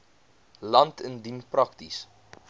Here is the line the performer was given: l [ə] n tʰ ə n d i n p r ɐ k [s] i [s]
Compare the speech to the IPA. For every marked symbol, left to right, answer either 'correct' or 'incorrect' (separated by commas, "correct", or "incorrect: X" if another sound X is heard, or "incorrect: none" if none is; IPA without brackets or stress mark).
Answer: incorrect: ɐ, incorrect: t, correct